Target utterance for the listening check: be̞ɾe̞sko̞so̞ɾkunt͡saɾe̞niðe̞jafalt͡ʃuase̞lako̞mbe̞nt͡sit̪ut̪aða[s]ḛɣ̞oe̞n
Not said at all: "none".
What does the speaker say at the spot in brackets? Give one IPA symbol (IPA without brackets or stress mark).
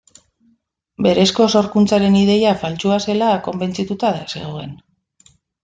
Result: s